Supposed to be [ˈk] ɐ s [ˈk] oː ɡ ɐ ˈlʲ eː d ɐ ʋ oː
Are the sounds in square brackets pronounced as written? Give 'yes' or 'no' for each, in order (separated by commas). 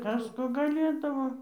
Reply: yes, yes